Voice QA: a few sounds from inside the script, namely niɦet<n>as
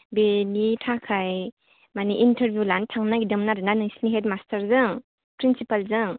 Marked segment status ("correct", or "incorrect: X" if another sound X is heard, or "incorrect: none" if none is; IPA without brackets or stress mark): incorrect: m